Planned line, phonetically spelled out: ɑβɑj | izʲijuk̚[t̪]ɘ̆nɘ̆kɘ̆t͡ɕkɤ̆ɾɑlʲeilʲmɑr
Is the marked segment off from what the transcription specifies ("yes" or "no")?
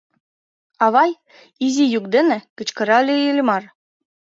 yes